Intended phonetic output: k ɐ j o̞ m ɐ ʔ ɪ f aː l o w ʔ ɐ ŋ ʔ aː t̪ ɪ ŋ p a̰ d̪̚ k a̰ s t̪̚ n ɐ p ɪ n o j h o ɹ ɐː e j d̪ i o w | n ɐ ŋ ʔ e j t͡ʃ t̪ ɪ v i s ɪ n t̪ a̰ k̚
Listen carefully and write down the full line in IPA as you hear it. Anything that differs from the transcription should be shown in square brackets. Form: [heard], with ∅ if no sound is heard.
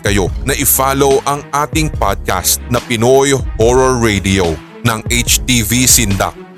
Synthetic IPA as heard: k ɐ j o̞ [n] ɐ ʔ ɪ f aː l o w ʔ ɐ ŋ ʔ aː t̪ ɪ ŋ p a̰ d̪̚ k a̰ s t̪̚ n ɐ p ɪ n o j h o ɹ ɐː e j d̪ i o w | n ɐ ŋ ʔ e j t͡ʃ t̪ [i] v i s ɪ n [d̪] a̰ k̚